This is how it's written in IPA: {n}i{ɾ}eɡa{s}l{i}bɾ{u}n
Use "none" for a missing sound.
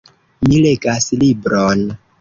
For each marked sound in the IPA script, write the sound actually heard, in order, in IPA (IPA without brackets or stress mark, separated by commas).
m, l, s, i, o